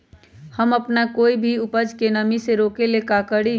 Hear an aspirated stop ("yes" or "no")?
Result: no